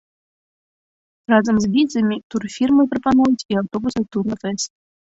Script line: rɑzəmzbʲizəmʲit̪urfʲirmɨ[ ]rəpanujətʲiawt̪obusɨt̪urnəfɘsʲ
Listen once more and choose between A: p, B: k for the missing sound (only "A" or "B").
A